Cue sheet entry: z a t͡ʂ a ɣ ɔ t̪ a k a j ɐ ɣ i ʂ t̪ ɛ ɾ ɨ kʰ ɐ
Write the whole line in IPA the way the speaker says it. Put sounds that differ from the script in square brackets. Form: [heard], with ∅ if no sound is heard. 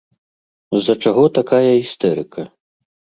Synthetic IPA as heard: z [ɐ] t͡ʂ a ɣ ɔ t̪ a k a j ɐ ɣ i [s] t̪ ɛ ɾ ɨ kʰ ɐ